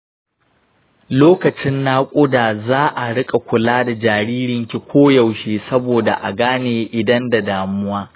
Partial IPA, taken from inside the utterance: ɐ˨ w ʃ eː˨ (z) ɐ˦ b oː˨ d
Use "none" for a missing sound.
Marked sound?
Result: s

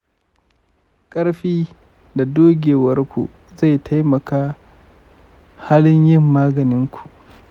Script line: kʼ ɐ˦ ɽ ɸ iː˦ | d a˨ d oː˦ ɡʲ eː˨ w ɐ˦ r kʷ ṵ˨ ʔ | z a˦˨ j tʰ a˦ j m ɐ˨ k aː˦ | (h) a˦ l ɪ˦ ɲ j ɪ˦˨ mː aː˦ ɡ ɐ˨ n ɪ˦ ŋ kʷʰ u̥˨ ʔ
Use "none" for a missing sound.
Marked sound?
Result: h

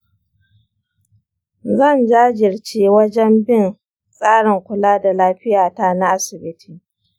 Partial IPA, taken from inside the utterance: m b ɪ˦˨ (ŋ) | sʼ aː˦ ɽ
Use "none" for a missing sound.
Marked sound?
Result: n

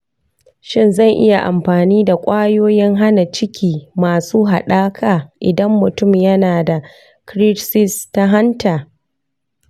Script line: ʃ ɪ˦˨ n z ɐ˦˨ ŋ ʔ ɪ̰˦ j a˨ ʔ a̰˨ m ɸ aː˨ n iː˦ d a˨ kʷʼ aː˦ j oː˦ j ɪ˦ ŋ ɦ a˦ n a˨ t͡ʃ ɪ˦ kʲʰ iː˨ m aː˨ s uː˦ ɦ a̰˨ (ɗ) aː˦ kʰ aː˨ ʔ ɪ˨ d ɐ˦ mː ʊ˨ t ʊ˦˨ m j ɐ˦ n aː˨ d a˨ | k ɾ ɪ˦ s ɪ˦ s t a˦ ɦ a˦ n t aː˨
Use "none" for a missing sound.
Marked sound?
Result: ɗ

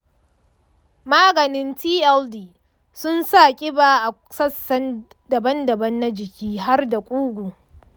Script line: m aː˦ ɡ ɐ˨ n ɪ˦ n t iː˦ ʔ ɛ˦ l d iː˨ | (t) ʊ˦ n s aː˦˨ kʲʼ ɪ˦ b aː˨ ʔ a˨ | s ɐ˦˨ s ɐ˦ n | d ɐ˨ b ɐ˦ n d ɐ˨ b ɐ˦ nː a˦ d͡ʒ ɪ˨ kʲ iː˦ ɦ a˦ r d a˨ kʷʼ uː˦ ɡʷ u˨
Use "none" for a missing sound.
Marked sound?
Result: s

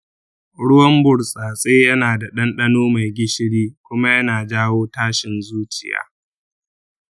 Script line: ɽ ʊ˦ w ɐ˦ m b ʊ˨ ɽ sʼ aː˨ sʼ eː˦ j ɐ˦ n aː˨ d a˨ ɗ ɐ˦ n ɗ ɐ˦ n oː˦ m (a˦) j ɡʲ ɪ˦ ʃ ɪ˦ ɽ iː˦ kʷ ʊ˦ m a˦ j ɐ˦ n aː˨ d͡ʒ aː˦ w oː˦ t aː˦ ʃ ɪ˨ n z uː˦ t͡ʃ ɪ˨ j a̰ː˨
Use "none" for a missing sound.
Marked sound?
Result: a˨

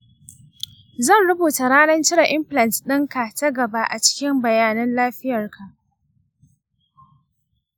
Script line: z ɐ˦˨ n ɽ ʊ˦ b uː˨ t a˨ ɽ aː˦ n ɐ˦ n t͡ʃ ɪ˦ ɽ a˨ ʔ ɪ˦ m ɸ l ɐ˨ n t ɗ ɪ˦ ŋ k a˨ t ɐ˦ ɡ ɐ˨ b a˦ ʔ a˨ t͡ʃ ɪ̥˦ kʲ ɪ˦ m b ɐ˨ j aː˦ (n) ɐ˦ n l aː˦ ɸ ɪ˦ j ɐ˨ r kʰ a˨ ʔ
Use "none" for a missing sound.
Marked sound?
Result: n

